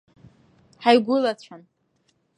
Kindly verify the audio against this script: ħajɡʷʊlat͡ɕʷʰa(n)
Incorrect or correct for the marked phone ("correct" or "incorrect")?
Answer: correct